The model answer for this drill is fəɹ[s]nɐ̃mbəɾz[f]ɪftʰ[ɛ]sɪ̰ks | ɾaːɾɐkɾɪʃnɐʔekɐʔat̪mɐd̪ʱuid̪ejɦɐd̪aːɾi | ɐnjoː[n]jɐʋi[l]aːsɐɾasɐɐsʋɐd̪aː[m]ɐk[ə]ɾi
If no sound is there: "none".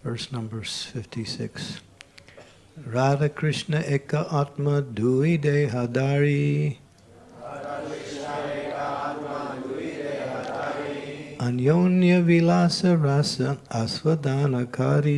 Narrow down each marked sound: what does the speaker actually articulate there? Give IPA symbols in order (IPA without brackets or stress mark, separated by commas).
s, f, i, n, l, n, a